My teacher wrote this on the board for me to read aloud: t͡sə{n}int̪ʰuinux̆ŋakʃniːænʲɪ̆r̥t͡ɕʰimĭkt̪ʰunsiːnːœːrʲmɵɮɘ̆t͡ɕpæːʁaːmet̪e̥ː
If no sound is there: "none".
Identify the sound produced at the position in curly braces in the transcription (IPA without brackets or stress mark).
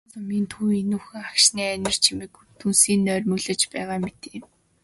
m